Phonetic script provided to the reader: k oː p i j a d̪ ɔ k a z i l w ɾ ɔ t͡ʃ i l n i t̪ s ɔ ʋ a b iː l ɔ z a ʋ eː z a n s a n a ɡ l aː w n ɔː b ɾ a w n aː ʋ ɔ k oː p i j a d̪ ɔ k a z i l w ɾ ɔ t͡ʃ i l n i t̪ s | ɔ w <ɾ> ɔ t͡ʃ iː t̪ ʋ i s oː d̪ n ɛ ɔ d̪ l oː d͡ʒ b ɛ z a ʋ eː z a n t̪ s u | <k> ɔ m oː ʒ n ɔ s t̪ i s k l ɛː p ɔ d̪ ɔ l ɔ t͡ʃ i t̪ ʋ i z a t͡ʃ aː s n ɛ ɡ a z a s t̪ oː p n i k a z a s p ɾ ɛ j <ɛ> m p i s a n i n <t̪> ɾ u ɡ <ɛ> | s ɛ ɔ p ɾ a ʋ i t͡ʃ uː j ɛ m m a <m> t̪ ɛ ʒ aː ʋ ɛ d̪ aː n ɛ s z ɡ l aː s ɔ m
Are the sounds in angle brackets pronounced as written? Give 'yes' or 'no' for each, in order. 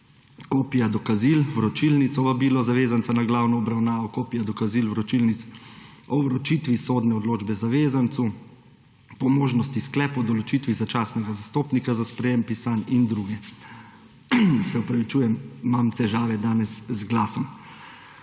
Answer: yes, no, no, no, yes, yes

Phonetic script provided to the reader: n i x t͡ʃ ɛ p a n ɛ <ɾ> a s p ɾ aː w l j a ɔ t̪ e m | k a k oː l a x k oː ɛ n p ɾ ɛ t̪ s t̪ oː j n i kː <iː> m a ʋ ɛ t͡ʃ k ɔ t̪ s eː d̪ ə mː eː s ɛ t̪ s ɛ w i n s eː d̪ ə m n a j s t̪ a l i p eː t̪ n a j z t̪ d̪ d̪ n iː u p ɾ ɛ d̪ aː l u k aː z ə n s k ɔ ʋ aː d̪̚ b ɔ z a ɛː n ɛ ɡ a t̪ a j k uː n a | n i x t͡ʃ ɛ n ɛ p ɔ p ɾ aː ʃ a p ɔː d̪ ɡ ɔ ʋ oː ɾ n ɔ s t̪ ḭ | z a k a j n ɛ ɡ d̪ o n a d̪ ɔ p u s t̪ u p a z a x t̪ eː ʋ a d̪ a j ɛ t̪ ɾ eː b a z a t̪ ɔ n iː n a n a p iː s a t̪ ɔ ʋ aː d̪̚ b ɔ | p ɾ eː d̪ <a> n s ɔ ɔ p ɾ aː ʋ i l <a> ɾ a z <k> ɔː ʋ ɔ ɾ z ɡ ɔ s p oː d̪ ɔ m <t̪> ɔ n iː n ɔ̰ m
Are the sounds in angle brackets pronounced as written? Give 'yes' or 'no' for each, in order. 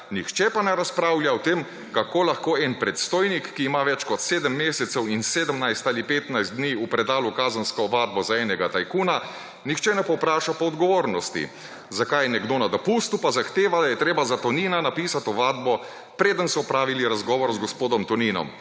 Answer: yes, yes, no, no, no, yes

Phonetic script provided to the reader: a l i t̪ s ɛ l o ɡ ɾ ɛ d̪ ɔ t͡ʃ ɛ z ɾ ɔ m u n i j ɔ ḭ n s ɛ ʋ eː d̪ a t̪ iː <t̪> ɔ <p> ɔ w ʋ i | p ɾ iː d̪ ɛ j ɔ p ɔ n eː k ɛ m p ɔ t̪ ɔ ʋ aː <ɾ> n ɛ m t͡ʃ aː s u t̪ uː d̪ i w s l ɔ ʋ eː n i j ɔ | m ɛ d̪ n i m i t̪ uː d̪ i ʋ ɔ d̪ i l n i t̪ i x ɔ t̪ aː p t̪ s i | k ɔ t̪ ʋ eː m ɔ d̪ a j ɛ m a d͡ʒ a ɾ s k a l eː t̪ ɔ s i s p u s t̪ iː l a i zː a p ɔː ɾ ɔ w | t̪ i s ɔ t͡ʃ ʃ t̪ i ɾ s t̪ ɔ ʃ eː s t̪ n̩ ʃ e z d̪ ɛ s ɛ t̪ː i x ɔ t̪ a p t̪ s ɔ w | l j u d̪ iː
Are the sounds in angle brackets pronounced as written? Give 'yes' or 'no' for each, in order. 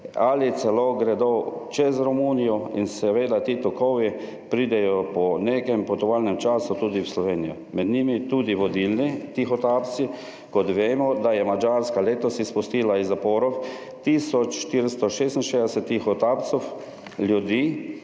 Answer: yes, no, no

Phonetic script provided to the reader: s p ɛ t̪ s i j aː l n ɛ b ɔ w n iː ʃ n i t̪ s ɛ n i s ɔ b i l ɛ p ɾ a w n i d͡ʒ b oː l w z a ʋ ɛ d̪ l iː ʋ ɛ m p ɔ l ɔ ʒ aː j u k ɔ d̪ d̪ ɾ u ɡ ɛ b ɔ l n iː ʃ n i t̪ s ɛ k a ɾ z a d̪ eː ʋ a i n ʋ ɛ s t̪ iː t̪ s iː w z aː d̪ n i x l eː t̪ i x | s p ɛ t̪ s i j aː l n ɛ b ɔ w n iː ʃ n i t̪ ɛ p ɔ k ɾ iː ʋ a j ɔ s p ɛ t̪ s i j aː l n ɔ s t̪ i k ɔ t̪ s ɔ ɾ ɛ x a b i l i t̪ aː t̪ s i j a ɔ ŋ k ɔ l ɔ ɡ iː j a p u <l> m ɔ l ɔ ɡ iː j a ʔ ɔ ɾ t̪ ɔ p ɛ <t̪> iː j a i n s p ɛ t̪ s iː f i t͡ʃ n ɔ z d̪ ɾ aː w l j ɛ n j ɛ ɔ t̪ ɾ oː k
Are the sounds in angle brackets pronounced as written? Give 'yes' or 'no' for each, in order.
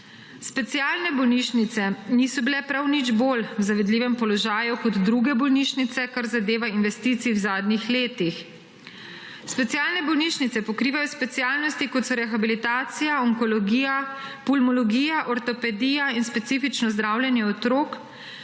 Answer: yes, no

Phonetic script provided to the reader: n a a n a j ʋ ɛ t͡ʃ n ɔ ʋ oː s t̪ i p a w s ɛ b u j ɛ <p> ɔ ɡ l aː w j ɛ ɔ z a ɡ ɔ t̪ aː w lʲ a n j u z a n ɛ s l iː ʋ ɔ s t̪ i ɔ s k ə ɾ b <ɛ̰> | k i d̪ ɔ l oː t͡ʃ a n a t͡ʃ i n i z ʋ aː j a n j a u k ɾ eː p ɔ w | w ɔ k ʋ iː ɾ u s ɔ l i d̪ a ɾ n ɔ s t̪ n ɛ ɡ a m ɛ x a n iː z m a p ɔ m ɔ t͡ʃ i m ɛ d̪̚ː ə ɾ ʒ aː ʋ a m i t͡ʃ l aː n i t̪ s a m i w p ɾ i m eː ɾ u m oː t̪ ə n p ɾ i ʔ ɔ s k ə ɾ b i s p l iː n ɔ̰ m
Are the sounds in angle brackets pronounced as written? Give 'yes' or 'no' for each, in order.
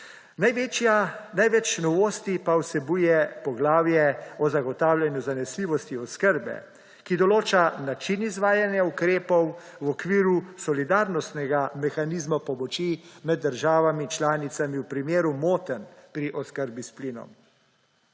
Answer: yes, yes

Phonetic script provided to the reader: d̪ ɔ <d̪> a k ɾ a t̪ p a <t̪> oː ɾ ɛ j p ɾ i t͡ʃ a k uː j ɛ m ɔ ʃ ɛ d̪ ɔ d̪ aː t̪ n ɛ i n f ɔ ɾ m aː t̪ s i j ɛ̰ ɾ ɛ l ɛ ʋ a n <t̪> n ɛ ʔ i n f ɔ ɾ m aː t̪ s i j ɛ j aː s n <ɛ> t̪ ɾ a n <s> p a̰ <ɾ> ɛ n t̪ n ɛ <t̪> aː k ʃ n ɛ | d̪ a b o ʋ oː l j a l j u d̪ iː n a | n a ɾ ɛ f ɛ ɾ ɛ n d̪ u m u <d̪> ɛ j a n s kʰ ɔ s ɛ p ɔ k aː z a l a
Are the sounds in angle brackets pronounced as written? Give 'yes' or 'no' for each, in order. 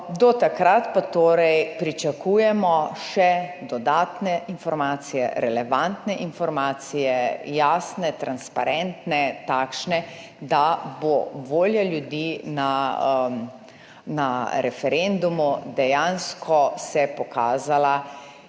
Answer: no, yes, yes, yes, yes, yes, yes, yes

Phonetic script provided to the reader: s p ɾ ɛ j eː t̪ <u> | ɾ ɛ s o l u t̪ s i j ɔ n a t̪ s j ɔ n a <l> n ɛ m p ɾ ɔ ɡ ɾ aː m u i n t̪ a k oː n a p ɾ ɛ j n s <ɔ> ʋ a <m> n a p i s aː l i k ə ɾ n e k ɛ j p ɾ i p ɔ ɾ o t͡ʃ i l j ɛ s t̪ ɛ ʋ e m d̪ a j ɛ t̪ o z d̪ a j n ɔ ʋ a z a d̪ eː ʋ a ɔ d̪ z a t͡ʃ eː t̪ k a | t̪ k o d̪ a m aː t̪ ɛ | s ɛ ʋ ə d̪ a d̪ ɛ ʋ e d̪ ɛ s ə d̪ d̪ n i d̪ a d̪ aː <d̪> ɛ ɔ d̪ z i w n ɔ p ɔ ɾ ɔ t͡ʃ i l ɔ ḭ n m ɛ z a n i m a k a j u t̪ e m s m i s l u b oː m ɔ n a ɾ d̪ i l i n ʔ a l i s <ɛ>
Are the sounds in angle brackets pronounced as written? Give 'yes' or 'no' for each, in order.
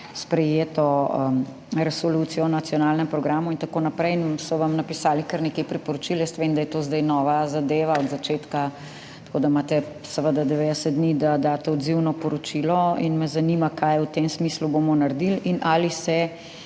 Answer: no, yes, yes, yes, no, yes

